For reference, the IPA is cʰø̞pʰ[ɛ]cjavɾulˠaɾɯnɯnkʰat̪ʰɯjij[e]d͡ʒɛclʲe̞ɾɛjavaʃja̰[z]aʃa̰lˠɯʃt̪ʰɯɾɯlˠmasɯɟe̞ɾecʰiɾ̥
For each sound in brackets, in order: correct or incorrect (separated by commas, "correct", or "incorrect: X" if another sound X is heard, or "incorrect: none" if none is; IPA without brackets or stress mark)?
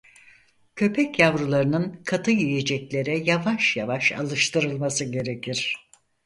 correct, correct, incorrect: v